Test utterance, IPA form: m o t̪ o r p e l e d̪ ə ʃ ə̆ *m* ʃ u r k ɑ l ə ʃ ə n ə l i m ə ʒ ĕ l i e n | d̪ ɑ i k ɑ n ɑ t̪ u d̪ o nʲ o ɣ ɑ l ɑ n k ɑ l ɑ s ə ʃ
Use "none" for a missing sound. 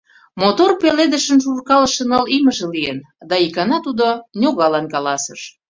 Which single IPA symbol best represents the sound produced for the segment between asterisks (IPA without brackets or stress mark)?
n